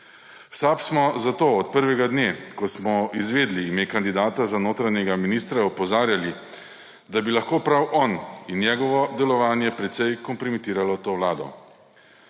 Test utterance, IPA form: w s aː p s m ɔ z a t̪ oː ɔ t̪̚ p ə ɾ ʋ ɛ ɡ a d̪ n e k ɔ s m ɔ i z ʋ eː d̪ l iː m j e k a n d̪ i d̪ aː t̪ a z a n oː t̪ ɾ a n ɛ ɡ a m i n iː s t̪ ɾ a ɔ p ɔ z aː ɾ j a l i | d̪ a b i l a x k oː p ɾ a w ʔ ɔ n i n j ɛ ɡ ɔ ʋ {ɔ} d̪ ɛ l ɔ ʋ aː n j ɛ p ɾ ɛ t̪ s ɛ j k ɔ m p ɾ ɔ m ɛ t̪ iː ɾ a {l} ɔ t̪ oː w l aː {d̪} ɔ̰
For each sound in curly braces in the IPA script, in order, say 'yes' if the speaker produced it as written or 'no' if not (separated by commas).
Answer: yes, yes, yes